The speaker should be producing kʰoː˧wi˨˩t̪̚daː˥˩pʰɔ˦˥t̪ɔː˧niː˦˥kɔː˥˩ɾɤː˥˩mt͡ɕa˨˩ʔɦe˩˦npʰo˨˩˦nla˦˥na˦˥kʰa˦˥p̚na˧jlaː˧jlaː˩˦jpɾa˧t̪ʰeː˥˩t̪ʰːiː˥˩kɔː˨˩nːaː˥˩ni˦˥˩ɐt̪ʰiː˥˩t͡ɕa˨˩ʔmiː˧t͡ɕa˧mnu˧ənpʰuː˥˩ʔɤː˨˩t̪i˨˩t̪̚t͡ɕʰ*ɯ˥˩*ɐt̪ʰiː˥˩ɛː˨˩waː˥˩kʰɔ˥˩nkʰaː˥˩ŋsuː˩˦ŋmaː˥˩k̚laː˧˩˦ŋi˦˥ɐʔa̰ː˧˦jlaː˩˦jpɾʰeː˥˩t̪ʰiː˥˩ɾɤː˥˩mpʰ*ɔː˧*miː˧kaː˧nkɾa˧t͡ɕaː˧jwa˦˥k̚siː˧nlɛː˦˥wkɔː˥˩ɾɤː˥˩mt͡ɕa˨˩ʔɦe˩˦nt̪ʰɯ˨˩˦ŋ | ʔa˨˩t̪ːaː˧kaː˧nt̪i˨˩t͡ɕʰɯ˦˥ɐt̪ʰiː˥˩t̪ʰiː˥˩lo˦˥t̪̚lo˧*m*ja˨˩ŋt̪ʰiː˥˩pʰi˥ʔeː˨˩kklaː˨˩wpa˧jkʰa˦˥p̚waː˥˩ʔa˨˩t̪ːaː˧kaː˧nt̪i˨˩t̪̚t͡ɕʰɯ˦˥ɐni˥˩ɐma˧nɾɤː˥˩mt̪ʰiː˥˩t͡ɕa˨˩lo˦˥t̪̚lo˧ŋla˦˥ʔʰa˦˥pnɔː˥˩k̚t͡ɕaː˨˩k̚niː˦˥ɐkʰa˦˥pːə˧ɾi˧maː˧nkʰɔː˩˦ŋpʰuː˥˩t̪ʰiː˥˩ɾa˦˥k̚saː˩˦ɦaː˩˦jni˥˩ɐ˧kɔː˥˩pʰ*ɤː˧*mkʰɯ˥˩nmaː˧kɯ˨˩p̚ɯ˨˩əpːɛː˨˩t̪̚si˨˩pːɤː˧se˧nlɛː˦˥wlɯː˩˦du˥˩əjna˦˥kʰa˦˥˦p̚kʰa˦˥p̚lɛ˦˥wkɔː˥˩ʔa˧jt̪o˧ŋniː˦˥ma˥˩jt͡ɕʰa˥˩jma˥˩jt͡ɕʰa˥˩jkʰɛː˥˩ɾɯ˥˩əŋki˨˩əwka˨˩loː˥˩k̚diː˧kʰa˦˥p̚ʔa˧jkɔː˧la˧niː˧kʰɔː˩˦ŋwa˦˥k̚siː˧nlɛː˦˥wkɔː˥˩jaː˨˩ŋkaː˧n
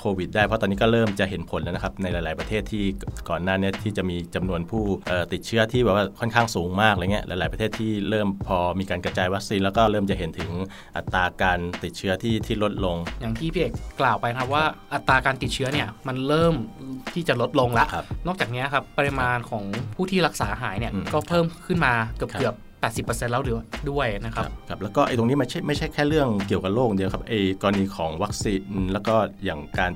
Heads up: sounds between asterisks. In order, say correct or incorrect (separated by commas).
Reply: incorrect, correct, incorrect, incorrect